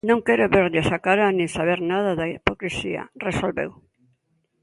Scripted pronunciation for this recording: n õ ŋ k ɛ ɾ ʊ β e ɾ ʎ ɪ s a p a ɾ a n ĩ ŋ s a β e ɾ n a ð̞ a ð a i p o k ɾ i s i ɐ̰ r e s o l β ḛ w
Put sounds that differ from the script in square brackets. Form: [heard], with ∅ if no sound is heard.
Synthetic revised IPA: n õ ŋ k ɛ ɾ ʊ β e ɾ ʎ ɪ s a [k] a ɾ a n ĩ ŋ s a β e ɾ n a ð̞ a ð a i p o k ɾ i s i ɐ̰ r e s o l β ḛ w